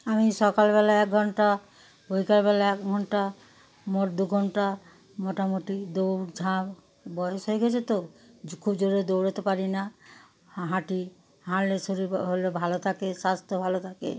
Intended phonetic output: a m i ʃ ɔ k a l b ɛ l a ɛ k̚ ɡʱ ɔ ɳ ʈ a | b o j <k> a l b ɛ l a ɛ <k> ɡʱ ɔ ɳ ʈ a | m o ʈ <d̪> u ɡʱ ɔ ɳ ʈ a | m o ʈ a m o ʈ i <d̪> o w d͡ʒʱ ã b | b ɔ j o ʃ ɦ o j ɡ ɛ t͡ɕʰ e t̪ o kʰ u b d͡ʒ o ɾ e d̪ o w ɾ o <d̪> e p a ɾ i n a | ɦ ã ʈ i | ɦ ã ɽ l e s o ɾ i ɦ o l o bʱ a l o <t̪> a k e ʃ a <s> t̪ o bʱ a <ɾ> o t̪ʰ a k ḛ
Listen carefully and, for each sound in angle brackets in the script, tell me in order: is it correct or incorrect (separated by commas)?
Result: correct, correct, correct, correct, incorrect, incorrect, correct, incorrect